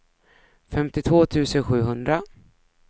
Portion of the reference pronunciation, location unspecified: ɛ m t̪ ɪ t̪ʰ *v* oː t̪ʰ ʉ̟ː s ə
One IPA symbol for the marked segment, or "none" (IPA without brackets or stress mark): v